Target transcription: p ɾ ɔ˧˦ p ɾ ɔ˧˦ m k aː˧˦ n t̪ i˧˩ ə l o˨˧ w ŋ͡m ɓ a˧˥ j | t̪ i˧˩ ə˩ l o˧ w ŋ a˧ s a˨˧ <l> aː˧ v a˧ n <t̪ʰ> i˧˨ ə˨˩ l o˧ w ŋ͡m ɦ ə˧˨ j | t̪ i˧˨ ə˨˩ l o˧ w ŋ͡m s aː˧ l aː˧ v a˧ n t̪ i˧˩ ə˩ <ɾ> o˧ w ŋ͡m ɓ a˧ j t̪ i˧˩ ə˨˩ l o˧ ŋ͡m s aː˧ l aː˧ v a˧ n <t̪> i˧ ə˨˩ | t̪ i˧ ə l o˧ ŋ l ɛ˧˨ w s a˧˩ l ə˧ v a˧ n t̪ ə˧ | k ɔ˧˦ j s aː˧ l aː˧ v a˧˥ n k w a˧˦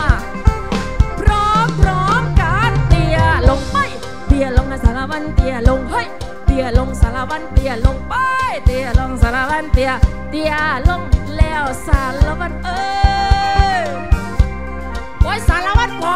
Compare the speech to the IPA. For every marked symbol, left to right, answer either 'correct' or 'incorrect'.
correct, incorrect: t̪, incorrect: l, correct

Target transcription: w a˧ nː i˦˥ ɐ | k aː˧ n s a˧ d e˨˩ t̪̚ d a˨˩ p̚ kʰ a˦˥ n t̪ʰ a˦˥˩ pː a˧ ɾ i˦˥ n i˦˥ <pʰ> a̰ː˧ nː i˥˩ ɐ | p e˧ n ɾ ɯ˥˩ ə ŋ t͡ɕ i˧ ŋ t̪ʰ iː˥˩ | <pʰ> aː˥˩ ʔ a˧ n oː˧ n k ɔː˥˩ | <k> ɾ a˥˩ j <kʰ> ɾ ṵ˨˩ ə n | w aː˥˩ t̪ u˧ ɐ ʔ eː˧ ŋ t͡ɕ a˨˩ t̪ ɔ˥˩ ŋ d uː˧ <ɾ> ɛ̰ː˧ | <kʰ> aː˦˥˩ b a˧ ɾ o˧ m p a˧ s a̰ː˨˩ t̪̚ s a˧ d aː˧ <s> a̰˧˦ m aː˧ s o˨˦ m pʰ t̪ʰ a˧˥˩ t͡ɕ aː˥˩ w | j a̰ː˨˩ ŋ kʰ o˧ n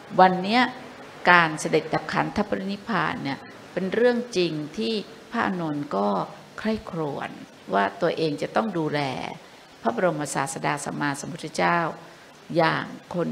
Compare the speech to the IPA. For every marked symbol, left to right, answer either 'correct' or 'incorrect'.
correct, correct, incorrect: kʰ, correct, incorrect: l, incorrect: pʰ, correct

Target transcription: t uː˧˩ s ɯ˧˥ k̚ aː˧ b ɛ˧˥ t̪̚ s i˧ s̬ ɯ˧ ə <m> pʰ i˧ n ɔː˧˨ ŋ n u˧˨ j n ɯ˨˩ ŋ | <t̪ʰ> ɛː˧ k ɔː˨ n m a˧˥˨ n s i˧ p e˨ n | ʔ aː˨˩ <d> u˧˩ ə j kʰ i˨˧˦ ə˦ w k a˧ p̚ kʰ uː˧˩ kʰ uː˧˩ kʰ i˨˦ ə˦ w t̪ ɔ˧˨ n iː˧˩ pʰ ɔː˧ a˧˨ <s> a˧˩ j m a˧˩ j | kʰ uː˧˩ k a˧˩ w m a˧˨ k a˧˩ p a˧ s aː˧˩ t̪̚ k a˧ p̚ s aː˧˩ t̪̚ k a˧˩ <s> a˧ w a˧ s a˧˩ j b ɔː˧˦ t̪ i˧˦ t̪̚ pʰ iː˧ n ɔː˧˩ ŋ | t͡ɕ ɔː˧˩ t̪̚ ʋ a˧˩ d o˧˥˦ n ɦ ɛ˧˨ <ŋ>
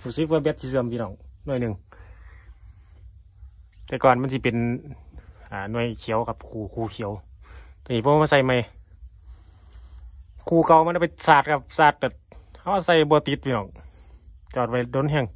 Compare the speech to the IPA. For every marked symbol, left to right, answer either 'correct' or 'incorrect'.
correct, incorrect: t̪, incorrect: n, correct, incorrect: h, correct

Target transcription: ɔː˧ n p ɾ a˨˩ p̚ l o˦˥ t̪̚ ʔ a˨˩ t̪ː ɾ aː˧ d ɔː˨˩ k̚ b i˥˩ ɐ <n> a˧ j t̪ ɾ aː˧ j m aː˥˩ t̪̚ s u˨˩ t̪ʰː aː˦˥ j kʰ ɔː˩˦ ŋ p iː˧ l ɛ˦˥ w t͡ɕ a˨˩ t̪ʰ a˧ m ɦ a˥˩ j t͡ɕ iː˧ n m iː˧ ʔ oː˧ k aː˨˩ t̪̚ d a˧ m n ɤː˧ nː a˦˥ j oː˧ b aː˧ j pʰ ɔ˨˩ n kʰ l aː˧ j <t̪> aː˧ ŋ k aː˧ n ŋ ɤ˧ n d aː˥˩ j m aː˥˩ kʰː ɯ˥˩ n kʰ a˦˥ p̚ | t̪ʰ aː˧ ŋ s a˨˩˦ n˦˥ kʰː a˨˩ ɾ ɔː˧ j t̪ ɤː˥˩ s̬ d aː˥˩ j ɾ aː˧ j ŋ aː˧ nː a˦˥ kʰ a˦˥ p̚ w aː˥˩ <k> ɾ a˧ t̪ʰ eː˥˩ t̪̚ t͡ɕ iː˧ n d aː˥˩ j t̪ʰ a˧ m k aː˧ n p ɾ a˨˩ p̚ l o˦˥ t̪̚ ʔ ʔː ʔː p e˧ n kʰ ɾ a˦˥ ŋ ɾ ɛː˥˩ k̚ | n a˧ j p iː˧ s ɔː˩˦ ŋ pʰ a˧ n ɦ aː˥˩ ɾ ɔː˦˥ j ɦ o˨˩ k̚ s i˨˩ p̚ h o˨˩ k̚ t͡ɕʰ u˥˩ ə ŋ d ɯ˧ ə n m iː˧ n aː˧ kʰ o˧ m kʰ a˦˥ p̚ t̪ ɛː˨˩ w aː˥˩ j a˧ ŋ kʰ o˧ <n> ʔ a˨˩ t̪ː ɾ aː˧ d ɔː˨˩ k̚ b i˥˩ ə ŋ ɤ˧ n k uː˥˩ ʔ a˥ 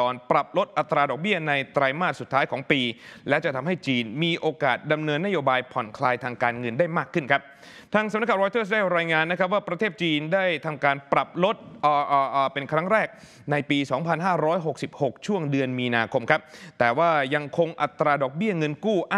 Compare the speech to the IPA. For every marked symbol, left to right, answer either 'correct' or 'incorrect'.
correct, incorrect: t̪ʰ, incorrect: p, incorrect: ŋ

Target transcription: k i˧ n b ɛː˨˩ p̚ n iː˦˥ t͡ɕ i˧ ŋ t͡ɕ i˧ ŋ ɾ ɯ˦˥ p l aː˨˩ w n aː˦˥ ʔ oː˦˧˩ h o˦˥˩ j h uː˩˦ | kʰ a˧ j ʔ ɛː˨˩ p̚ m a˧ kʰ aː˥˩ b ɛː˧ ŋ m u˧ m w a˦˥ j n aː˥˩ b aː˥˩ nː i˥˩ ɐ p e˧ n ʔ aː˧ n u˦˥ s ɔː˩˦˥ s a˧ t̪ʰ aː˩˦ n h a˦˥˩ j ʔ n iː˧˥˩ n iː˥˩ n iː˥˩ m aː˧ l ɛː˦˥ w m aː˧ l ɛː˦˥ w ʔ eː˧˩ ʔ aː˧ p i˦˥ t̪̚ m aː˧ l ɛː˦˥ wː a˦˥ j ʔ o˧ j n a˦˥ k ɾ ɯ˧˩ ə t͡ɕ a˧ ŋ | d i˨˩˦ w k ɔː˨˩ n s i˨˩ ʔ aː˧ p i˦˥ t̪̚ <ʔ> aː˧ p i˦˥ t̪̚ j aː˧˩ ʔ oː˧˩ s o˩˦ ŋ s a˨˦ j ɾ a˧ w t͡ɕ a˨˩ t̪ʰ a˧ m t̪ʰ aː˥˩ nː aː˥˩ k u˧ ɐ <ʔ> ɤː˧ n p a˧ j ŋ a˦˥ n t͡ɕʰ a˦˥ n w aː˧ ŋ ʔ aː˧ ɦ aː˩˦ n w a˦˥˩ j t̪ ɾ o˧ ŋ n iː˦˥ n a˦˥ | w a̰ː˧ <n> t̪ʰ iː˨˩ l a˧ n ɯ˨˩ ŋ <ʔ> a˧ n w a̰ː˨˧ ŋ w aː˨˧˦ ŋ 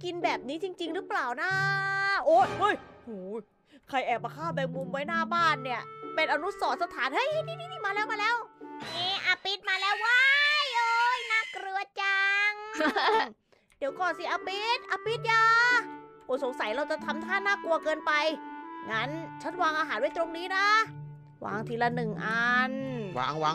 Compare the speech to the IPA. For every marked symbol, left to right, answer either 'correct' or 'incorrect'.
correct, incorrect: k, incorrect: ŋ, correct

